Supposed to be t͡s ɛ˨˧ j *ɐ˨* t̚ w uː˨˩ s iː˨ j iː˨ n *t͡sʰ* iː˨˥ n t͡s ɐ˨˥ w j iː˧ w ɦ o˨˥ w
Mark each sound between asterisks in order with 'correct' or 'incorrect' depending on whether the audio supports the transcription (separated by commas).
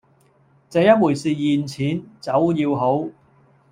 incorrect, correct